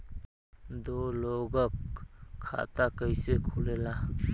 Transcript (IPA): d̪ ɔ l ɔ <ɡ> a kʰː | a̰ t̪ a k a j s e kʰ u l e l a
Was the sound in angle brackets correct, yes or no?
yes